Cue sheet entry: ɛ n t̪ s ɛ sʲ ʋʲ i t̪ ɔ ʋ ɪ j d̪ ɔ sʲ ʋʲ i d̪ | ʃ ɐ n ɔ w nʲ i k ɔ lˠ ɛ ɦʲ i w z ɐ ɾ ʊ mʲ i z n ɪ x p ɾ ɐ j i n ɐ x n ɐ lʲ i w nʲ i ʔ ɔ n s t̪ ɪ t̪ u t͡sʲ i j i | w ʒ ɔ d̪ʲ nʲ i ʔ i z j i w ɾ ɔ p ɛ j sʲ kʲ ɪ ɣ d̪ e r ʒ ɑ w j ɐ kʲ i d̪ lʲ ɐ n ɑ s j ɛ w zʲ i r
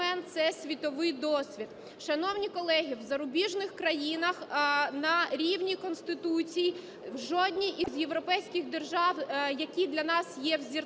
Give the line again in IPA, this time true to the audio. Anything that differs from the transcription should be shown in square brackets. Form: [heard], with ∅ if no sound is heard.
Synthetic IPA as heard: ɛ n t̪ s ɛ sʲ ʋʲ i t̪ ɔ ʋ ɪ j d̪ ɔ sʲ ʋʲ i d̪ | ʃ ɐ n ɔ w nʲ i k ɔ lˠ ɛ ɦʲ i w z ɐ ɾ ʊ [bʲ] i [ʒ] n ɪ x [k] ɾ ɐ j i n ɐ x n ɐ [ɾʲ] i w nʲ i [k] ɔ n s t̪ ɪ t̪ u t͡sʲ i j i | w ʒ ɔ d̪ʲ nʲ i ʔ i z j [e] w ɾ ɔ p ɛ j sʲ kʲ ɪ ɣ d̪ e r ʒ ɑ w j ɐ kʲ i d̪ lʲ ɐ n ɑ s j ɛ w zʲ i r

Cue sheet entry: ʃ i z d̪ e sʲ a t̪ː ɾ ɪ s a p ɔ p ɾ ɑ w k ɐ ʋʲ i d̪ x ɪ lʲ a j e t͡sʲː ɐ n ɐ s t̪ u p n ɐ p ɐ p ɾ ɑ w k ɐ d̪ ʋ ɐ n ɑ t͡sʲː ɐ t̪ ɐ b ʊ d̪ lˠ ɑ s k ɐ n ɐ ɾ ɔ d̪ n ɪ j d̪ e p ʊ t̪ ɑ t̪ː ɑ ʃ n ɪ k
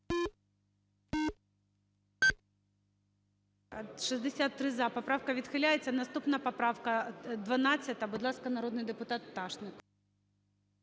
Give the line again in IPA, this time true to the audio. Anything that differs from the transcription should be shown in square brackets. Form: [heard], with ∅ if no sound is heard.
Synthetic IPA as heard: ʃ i z d̪ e sʲ a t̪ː ɾ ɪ [z] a p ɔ p ɾ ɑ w k ɐ ʋʲ i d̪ x ɪ lʲ a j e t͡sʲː ɐ n ɐ s t̪ u p n ɐ p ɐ p ɾ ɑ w k ɐ d̪ ʋ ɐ n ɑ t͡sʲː ɐ t̪ ɐ b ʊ d̪ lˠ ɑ s k ɐ n ɐ ɾ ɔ d̪ n ɪ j d̪ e p ʊ t̪ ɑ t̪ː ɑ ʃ n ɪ k

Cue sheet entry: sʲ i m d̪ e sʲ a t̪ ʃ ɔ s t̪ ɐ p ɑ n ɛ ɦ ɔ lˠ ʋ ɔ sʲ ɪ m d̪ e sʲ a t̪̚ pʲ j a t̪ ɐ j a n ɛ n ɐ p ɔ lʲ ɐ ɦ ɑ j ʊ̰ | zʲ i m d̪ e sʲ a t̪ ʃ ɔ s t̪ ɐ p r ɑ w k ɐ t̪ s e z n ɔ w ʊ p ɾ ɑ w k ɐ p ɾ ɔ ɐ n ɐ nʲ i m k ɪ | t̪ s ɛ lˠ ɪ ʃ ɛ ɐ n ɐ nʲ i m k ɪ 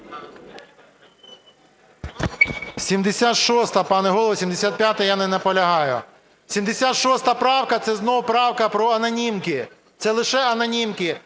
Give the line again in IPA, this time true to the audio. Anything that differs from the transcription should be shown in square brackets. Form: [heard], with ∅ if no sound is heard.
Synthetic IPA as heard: sʲ i m d̪ e sʲ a t̪ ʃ ɔ s t̪ ɐ p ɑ n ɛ ɦ ɔ lˠ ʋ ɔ sʲ [i] m d̪ e sʲ a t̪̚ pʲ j a t̪ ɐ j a n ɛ n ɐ p ɔ lʲ ɐ ɦ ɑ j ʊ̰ | [sʲ] i m d̪ e sʲ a t̪ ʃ ɔ s t̪ ɐ p [ɾ] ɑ w k ɐ t̪ s [ɛ] z n ɔ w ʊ p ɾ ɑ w k ɐ p ɾ ɔ ɐ n ɐ nʲ i m k ɪ | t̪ s ɛ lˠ ɪ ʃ ɛ ɐ n ɐ nʲ i m k ɪ

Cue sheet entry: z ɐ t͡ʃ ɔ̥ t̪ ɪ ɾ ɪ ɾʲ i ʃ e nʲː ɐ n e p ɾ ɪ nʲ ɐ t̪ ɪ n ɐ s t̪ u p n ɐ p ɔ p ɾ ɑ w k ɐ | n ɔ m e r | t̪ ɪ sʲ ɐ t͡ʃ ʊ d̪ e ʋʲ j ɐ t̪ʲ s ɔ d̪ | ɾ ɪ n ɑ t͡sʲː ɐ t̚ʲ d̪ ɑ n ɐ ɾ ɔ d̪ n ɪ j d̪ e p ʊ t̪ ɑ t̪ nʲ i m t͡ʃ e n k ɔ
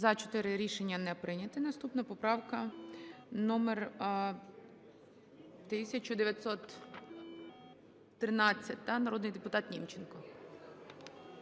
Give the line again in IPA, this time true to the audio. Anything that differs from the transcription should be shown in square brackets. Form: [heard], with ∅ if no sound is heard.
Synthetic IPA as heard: z ɐ t͡ʃ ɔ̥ t̪ ɪ ɾ ɪ ɾʲ i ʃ e nʲː ɐ n [ɛ] p ɾ ɪ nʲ ɐ t̪ ɪ n ɐ s t̪ u p n ɐ p ɔ p ɾ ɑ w k ɐ | n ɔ m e r | t̪ ɪ sʲ ɐ t͡ʃ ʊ d̪ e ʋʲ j ɐ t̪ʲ s ɔ [t̪] | ɾ ɪ n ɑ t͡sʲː ɐ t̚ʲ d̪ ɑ n ɐ ɾ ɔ d̪ n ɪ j d̪ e p ʊ t̪ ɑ t̪ nʲ i m t͡ʃ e n k ɔ

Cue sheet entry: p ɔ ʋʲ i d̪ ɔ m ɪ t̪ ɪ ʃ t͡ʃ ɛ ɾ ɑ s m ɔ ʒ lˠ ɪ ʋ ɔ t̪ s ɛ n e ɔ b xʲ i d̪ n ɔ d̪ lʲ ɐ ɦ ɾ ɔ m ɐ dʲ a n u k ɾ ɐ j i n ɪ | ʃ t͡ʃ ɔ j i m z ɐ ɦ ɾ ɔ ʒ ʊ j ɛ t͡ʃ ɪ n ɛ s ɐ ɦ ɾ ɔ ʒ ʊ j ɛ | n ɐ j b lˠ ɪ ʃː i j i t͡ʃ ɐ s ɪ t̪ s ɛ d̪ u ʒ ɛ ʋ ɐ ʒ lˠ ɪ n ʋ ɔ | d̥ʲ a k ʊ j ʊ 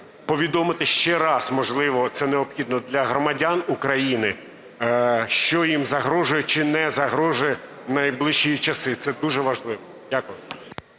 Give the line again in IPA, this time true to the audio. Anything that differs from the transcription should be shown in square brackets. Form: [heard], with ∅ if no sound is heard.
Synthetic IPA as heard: p ɔ ʋʲ i d̪ ɔ m ɪ t̪ ɪ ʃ t͡ʃ ɛ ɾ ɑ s m ɔ ʒ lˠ ɪ ʋ ɔ t̪ s ɛ n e ɔ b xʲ i d̪ n ɔ d̪ lʲ ɐ ɦ ɾ ɔ m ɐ dʲ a n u k ɾ ɐ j i n ɪ | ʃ t͡ʃ ɔ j i m z ɐ ɦ ɾ ɔ ʒ ʊ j ɛ t͡ʃ ɪ n ɛ [z] ɐ ɦ ɾ ɔ ʒ ʊ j ɛ | n ɐ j b lˠ ɪ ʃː i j i t͡ʃ ɐ s ɪ t̪ s ɛ d̪ u ʒ ɛ ʋ ɐ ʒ lˠ ɪ [∅] ʋ ɔ | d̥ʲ a k ʊ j ʊ

